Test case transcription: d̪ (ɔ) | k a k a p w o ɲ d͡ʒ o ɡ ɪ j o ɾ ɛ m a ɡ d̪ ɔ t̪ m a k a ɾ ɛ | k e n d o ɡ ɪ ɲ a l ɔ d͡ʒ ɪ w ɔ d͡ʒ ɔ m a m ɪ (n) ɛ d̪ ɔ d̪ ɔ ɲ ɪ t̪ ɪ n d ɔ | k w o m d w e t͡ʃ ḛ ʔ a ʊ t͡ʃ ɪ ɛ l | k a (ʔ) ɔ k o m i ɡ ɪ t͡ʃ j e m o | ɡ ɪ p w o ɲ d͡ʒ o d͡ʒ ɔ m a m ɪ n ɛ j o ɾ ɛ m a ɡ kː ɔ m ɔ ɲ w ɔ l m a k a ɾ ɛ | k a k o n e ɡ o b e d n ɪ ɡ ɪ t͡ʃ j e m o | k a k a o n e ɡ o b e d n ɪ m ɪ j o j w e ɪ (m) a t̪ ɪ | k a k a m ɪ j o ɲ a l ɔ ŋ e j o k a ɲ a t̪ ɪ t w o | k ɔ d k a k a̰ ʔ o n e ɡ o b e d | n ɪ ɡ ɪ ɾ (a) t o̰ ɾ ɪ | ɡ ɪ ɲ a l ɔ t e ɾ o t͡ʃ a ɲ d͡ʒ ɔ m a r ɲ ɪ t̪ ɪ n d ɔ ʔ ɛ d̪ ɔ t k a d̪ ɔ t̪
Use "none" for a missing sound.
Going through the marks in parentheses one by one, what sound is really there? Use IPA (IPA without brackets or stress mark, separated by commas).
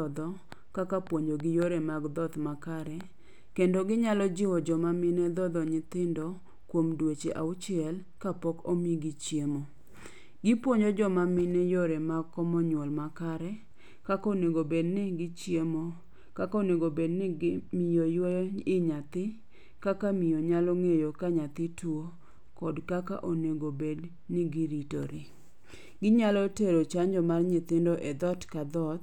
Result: ɔ, n, p, ɲ, i